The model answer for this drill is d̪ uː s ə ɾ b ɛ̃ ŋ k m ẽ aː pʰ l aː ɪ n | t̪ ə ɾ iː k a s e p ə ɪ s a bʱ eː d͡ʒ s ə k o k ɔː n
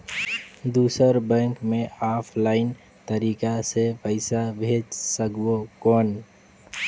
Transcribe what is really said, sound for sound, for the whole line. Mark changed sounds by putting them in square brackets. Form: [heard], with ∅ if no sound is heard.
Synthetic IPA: d̪ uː s ə ɾ b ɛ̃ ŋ k m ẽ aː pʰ l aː ɪ n | t̪ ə ɾ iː k a s e p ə ɪ s a bʱ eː d͡ʒ s ə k o k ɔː n